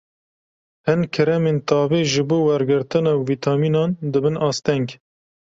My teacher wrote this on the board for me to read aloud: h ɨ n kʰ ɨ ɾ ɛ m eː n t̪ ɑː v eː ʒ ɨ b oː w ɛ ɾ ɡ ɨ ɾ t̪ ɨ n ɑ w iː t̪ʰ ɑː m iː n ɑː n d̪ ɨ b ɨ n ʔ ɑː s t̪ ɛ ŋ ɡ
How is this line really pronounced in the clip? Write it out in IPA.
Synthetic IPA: h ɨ n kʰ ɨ ɾ ɛ m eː n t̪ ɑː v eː ʒ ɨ b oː w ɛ ɾ ɡ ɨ ɾ t̪ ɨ n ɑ v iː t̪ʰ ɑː m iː n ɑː n d̪ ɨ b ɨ n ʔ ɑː s t̪ ɛ ŋ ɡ